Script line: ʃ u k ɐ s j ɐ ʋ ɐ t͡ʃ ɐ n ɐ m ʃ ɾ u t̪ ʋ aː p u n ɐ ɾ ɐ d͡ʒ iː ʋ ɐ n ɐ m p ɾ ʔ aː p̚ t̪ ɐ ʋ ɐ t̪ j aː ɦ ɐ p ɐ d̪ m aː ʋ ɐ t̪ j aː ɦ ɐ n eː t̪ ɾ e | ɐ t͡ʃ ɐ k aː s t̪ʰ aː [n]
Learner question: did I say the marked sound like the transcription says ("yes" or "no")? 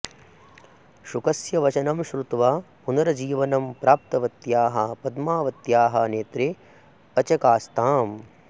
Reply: no